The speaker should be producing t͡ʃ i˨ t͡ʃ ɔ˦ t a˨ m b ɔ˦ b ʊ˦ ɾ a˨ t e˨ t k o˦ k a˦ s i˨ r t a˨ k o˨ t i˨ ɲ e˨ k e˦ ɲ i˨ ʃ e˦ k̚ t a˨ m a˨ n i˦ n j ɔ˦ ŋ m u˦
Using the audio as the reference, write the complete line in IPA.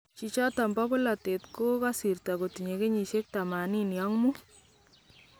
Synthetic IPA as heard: t͡ʃ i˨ t͡ʃ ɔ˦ t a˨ m b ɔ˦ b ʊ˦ l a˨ t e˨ t k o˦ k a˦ s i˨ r t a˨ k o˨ t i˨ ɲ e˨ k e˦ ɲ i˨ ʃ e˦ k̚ t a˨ m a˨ n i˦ n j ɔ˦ ŋ m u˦